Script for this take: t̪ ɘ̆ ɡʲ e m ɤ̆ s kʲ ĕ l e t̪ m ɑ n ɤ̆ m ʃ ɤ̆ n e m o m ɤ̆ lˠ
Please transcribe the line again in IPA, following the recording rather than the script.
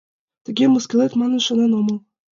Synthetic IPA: t̪ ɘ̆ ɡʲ e m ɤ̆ s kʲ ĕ l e t̪ m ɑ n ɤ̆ n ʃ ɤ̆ n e n o m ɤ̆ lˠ